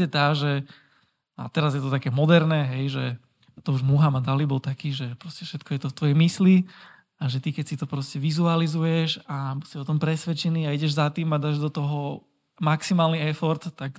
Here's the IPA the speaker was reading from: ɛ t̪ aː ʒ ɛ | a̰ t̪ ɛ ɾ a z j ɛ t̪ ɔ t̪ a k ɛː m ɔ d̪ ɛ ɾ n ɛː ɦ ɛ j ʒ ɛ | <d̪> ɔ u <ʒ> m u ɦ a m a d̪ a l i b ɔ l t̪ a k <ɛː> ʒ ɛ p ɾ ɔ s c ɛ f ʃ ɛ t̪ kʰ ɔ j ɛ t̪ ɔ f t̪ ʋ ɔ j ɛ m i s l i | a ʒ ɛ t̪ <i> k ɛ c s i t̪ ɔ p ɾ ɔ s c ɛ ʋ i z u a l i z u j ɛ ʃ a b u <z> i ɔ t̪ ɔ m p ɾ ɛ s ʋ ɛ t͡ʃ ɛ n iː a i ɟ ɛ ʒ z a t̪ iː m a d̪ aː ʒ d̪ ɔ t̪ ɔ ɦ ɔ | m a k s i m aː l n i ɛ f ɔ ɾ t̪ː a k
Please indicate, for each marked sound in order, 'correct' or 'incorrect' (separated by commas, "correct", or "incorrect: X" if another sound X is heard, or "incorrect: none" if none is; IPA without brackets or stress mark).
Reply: incorrect: t̪, correct, incorrect: iː, correct, incorrect: s